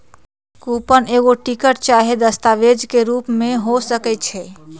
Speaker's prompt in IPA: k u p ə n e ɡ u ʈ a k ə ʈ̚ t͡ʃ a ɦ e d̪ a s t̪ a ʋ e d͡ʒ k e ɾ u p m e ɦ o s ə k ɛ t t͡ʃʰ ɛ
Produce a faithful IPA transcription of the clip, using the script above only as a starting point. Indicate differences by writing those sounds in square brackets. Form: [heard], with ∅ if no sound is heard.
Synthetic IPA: k u p ə n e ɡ [o] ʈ [i] k ə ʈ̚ t͡ʃ a ɦ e d̪ [ə] s t̪ a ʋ e d͡ʒ k e ɾ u p m e ɦ o s ə k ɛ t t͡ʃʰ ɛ